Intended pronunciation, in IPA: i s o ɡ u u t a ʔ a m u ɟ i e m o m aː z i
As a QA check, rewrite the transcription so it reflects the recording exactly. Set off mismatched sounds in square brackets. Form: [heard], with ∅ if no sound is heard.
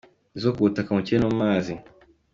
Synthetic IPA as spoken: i [z] o [k] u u t a [k] a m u [c] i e [n] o m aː z i

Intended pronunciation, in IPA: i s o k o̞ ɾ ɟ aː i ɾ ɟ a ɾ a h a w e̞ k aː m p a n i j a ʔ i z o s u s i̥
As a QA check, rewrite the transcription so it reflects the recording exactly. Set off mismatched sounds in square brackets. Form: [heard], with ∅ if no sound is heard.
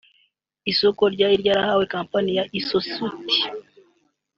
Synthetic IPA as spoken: i s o k o̞ ɾ ɟ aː i ɾ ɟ a ɾ a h a w e̞ k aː m p a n i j a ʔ i [s] o s u [t] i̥

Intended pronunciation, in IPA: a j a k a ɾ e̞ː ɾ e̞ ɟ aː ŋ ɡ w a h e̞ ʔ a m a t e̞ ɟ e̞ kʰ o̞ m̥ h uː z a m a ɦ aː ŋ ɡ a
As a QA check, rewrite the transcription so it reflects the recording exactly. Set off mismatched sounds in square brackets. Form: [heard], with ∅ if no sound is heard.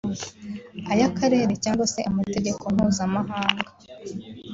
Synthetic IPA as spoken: a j a k a ɾ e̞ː ɾ e̞ [c] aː ŋ ɡ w a [s] e̞ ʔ a m a t e̞ ɟ e̞ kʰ o̞ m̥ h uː z a m a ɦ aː ŋ ɡ a

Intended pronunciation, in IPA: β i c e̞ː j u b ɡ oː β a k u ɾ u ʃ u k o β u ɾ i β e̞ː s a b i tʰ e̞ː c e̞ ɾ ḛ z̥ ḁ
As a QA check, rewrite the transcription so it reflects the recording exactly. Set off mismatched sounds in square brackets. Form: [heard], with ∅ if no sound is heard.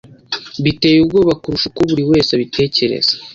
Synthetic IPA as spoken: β i [t] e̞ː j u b ɡ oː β a k u ɾ u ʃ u k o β u ɾ i [w] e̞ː s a [β] i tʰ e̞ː c e̞ ɾ ḛ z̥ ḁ

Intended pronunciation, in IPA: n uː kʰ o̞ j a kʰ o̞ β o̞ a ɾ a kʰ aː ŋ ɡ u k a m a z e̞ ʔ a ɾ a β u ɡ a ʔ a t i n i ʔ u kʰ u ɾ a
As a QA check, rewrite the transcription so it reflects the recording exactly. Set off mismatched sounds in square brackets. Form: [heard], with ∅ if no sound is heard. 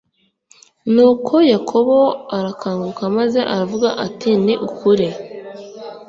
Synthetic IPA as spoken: n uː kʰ o̞ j a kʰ o̞ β o̞ a ɾ a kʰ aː ŋ ɡ u k a m a z e̞ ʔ a ɾ a [v] u ɡ a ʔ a t i n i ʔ u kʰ u ɾ [e]

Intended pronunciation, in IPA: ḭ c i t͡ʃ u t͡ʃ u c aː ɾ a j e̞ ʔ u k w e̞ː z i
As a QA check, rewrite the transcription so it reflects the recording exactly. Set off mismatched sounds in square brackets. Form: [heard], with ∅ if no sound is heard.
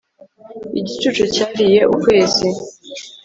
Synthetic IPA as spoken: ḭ [ɟ] i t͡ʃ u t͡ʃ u c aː ɾ [i] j e̞ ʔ u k w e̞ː z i

